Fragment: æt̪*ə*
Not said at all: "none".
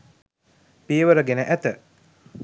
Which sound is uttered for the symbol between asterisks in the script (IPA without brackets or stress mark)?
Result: ə